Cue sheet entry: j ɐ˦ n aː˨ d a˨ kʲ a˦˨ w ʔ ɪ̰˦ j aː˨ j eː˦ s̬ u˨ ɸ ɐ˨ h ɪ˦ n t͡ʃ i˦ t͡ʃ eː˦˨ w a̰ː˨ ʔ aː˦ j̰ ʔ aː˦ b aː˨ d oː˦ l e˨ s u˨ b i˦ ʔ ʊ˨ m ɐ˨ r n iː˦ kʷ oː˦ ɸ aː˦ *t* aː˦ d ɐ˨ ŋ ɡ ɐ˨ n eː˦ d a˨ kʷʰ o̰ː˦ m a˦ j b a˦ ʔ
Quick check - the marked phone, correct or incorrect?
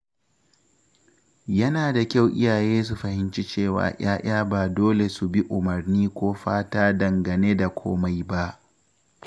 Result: correct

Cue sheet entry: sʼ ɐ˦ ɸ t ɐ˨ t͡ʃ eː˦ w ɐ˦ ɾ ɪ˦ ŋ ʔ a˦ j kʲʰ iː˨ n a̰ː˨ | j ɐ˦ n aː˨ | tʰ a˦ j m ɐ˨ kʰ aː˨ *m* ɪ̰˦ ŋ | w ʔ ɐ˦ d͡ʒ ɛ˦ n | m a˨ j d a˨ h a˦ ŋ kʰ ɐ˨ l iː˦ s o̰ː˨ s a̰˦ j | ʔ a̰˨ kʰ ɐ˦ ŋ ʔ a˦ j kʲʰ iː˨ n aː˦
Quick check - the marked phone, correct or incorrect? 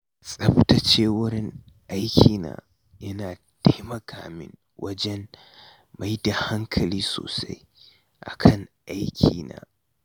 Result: correct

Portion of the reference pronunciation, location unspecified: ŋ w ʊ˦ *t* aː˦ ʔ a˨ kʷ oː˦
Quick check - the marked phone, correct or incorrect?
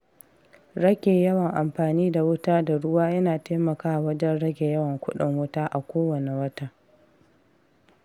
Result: correct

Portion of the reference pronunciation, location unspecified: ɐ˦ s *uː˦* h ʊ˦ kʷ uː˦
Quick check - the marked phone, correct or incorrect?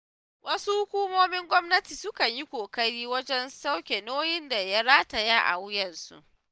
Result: incorrect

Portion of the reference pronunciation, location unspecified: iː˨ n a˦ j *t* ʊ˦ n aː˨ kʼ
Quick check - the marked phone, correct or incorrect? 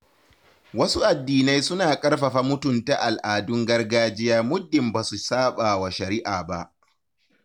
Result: incorrect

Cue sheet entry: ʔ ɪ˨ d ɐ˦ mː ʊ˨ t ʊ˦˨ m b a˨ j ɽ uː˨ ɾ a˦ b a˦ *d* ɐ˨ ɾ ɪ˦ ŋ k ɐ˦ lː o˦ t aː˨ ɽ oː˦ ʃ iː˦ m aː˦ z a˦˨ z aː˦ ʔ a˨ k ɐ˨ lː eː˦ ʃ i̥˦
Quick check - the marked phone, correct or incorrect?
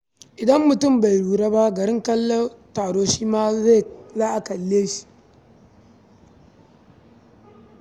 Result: incorrect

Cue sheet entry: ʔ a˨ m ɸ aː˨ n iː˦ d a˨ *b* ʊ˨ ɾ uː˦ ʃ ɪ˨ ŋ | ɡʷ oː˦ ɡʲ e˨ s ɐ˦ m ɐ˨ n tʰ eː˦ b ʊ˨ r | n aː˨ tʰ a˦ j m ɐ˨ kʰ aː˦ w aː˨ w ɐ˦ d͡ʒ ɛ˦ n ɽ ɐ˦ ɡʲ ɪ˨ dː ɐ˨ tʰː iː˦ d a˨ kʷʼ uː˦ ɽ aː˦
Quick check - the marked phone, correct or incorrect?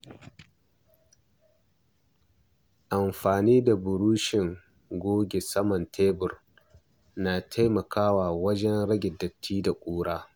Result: correct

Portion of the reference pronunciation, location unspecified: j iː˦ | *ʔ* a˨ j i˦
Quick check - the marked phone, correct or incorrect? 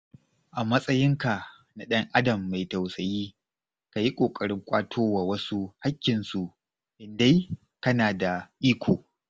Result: incorrect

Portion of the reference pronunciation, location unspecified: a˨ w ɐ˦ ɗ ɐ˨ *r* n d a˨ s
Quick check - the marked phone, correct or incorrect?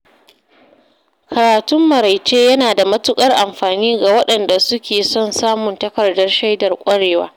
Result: incorrect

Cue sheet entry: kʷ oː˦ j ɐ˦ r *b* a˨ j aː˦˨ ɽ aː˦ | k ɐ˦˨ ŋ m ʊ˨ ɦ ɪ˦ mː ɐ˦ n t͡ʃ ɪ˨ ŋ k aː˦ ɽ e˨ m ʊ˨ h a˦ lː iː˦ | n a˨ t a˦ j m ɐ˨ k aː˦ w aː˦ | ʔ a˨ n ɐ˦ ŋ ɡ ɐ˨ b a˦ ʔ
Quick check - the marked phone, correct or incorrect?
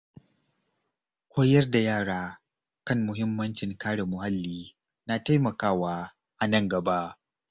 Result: incorrect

